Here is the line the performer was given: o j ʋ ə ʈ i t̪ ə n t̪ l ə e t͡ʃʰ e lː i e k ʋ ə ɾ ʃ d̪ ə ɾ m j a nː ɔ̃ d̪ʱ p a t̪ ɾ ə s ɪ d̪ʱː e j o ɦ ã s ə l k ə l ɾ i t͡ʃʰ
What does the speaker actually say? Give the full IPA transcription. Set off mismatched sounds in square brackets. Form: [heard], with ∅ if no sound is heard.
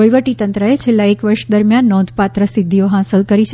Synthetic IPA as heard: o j ʋ ə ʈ i t̪ ə n t̪ [ɾ] ə e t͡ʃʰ e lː [a] e k ʋ ə ɾ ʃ d̪ ə ɾ m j a nː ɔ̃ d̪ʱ p a t̪ ɾ ə s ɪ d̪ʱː [i] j o ɦ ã s ə l k ə [∅] ɾ i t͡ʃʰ